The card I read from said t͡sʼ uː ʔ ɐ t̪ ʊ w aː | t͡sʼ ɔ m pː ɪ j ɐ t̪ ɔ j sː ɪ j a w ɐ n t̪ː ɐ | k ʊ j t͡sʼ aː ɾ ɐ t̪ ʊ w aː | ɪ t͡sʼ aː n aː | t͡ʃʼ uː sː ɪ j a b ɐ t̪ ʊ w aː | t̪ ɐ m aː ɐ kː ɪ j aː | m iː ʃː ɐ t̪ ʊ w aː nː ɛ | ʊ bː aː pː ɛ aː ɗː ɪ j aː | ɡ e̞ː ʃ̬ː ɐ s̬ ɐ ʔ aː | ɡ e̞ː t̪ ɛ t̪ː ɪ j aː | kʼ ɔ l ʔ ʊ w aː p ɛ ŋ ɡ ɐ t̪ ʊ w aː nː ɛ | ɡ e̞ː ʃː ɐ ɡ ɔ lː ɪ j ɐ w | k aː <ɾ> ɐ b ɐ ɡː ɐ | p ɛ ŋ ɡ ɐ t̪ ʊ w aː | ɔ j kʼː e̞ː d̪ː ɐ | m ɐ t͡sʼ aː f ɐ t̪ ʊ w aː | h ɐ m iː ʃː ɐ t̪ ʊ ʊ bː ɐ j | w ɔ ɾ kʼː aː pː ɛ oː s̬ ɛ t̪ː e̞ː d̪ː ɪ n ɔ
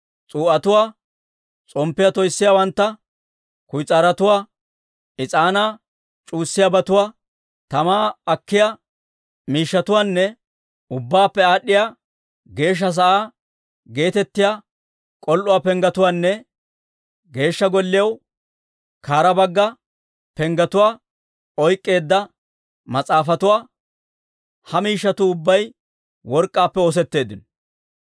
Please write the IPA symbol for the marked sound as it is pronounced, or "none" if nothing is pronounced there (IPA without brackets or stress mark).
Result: ɾ